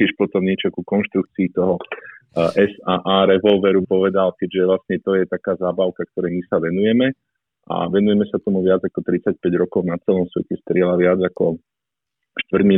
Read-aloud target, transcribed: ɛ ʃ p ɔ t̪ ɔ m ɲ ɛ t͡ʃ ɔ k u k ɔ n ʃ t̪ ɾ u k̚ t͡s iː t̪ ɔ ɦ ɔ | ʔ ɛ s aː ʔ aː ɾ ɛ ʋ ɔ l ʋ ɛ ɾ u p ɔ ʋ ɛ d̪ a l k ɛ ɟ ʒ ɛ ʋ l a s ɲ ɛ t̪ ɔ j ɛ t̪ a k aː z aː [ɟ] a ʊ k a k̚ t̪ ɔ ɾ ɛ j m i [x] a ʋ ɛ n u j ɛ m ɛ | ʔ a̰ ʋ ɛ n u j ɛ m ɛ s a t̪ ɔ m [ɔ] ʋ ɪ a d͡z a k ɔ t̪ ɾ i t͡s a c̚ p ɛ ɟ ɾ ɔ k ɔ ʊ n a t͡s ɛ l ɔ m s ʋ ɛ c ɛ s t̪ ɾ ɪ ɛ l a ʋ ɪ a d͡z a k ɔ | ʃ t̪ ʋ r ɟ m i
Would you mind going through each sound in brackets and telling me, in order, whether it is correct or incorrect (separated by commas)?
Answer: incorrect, incorrect, incorrect